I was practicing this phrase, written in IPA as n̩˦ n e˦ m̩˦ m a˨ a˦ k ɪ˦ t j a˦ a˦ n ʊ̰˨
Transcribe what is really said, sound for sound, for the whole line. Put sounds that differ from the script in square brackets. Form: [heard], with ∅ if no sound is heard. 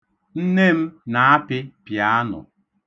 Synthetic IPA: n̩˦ n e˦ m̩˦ [n] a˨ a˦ [p] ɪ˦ [p] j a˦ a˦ n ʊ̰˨